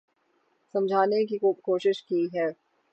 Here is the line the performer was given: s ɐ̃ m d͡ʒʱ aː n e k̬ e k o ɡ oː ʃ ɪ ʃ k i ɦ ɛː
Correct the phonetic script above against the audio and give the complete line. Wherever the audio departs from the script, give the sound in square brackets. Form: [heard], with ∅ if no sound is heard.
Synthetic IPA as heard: s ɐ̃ m d͡ʒʱ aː n e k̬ [i] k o [k] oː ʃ ɪ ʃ k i ɦ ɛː